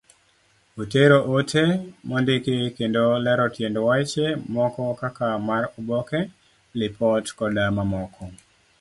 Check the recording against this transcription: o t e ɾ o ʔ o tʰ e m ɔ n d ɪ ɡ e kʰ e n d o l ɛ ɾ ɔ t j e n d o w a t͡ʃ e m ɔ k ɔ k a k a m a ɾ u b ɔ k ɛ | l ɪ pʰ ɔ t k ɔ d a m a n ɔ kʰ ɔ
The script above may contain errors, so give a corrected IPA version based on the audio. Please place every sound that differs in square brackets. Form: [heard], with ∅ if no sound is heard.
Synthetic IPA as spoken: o t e ɾ o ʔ o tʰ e m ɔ n d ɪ [k] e [k] e n d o l ɛ ɾ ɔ t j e n d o w a t͡ʃ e m ɔ k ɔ k a k a m a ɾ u b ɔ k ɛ | l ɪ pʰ ɔ t k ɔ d a m a [m] ɔ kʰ ɔ